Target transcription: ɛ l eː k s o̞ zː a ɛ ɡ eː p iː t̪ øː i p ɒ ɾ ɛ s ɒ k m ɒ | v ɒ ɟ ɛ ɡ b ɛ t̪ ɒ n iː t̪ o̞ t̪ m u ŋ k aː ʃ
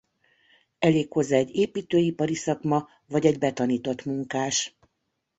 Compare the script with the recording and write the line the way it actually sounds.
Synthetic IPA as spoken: ɛ l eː k h o̞ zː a ɛ ɟ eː p iː t̪ øː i p ɒ ɾ i s ɒ k m ɒ | v ɒ ɟ ɛ ɟ b ɛ t̪ ɒ n iː t̪ o̞ t̪ m u ŋ k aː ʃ